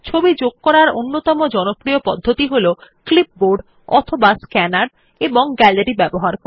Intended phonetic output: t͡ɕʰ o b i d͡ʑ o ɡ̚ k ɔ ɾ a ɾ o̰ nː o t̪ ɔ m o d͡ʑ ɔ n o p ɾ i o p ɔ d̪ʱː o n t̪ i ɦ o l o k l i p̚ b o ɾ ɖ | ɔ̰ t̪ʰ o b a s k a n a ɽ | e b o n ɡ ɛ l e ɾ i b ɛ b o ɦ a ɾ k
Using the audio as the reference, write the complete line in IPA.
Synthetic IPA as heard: t͡ɕʰ o b i d͡ʑ o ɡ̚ k ɔ ɾ a ɾ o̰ nː o t̪ ɔ m o d͡ʑ ɔ n o p ɾ i o p ɔ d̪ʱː o t̪ i ɦ o l o k l i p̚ b o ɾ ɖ | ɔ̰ t̪ʰ o b a s k ɛ n a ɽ | e b o ŋ ɡ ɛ l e ɾ i b ɛ b o ɦ a ɾ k